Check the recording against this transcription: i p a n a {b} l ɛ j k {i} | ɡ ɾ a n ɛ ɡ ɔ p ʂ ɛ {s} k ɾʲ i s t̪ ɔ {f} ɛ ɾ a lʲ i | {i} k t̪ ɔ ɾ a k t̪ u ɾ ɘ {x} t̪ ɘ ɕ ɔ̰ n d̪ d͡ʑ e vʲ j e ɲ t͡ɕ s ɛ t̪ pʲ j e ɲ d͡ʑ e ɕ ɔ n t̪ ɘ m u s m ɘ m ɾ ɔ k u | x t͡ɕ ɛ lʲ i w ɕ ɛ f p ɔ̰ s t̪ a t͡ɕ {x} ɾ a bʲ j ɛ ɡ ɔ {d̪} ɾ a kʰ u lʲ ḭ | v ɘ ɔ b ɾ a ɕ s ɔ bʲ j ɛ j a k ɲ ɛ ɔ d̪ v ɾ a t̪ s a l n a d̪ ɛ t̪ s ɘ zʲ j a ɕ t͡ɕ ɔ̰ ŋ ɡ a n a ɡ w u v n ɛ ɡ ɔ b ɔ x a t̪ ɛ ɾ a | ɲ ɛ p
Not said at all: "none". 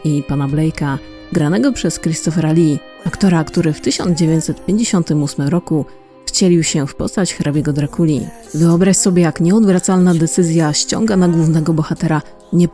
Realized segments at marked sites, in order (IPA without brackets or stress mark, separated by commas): b, a, s, f, a, f, x, d̪